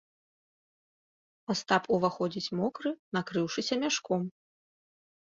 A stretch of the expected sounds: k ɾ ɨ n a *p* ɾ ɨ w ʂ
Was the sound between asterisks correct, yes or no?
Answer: no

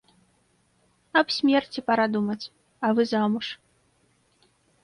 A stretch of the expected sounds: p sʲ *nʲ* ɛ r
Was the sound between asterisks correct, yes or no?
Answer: no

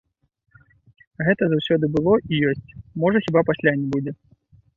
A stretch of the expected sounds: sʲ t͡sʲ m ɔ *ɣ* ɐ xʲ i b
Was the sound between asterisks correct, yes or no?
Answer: no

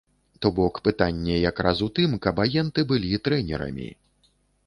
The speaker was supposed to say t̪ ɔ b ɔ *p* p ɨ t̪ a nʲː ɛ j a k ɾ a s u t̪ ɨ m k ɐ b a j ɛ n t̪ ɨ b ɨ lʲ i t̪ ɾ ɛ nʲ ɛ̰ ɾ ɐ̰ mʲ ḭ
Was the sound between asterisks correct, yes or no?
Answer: no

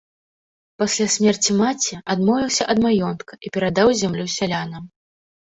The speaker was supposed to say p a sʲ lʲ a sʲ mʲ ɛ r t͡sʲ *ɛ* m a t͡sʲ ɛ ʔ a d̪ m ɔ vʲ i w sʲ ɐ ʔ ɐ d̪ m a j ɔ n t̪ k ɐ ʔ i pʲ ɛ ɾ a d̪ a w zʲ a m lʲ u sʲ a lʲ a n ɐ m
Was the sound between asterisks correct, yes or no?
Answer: no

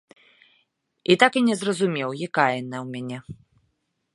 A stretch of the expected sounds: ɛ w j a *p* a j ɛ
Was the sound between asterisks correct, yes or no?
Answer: no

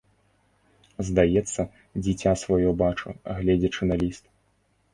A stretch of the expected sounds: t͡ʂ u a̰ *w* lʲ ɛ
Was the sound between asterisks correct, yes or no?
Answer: no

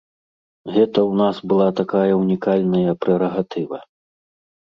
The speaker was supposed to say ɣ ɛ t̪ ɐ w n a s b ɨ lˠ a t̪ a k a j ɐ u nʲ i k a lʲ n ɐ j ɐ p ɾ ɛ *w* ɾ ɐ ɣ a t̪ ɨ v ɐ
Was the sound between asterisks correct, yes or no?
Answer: no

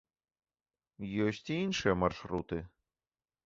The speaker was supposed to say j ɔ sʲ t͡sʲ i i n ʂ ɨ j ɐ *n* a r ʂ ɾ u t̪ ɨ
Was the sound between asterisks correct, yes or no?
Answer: no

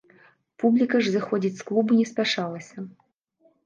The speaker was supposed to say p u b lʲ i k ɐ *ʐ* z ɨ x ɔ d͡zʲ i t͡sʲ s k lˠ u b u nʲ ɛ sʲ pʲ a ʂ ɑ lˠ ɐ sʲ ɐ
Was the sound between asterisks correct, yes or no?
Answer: yes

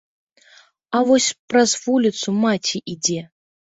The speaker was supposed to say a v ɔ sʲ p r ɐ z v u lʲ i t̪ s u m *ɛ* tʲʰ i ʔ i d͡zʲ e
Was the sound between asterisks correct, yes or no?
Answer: no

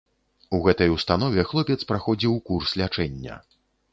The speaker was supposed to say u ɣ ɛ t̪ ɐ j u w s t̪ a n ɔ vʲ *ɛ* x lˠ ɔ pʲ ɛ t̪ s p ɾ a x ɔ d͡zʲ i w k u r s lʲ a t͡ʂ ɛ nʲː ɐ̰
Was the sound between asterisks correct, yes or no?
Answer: yes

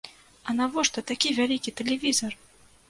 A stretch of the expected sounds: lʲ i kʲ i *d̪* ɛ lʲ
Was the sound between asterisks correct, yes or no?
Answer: no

